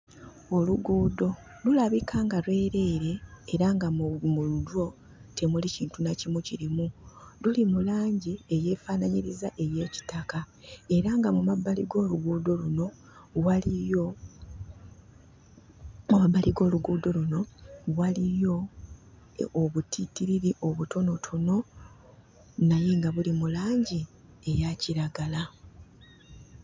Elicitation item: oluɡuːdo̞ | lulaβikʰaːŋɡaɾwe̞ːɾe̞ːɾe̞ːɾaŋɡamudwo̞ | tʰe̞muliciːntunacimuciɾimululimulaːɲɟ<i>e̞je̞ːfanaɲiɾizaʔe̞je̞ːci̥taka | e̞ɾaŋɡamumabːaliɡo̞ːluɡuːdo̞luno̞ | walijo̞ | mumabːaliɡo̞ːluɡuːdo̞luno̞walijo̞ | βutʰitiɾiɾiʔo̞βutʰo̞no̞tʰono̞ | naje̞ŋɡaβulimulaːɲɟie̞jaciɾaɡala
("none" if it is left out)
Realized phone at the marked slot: i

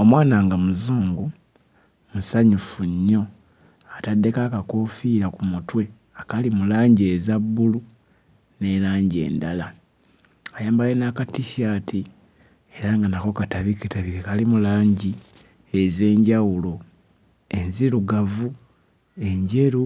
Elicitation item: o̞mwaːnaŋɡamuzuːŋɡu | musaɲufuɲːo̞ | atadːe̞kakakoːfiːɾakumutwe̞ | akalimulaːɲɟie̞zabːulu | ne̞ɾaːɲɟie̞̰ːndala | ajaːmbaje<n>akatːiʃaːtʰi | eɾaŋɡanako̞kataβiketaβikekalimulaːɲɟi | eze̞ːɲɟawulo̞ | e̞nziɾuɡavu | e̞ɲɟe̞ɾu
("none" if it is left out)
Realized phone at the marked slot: n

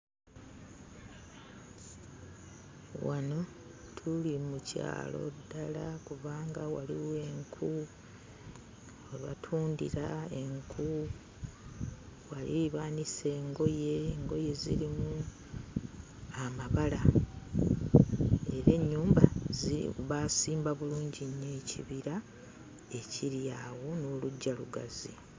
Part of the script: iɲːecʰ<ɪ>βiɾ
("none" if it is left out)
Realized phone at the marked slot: i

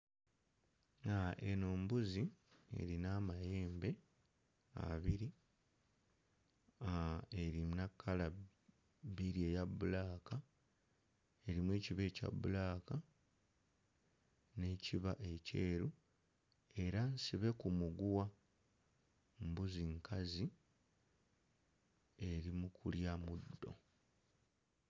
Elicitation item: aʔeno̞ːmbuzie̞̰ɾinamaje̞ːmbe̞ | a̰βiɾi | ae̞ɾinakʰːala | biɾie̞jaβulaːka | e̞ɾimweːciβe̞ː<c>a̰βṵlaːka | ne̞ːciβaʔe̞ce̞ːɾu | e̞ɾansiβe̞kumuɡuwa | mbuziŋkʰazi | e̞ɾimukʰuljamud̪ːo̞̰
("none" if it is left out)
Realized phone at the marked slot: c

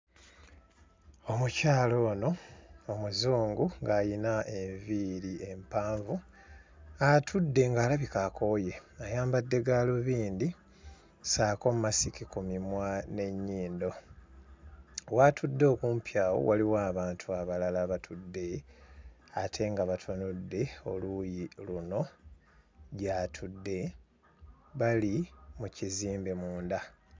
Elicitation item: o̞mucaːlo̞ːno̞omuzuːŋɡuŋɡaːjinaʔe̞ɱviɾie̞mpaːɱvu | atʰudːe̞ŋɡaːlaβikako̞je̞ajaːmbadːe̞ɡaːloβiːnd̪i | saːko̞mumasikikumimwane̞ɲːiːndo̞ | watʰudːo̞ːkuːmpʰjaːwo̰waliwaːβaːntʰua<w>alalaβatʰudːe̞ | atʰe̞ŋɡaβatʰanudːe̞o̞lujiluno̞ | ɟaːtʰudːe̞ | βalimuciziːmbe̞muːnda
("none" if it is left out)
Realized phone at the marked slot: β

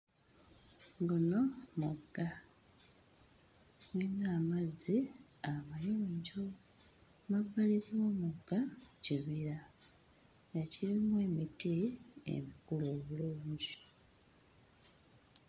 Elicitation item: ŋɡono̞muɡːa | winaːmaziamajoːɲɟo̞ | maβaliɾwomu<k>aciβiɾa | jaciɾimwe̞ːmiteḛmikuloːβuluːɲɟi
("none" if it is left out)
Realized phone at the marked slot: ɡ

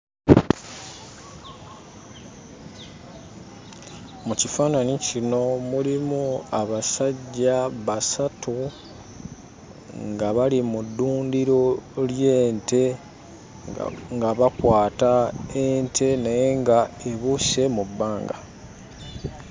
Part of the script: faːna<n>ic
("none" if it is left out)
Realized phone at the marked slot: n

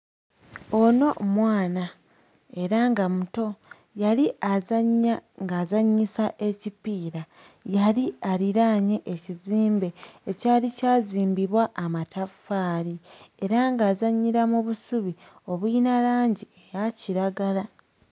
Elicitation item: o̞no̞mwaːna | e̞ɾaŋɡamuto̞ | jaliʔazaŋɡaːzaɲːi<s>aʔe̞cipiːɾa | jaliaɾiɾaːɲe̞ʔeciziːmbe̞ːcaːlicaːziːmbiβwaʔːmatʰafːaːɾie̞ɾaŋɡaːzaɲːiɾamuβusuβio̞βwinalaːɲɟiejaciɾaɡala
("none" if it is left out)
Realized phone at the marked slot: s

